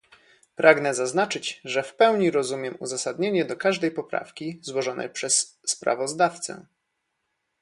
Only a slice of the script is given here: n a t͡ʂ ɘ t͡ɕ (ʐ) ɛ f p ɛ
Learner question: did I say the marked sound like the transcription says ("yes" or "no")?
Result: yes